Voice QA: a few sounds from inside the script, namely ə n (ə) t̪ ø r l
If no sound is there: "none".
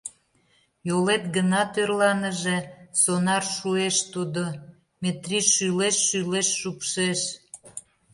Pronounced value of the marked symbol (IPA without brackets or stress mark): ɑ